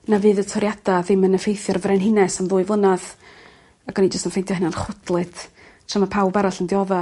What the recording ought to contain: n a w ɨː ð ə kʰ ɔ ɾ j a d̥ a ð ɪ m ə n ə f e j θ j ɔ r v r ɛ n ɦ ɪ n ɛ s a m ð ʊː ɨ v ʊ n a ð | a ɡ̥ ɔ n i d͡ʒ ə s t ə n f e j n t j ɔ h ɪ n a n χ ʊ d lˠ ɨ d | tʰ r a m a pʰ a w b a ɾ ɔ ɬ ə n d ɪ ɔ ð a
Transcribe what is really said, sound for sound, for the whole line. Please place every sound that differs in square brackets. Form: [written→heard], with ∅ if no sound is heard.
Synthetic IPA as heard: n a [w→v] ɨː ð ə [kʰ→tʰ] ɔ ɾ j a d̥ a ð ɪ m ə n ə f e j θ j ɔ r v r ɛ n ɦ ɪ n ɛ s a m ð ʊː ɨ v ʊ n a ð | a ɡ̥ ɔ n i d͡ʒ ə s t ə n f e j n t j ɔ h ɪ n a n χ ʊ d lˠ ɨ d | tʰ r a m a pʰ a w b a ɾ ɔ ɬ ə n d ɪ ɔ ð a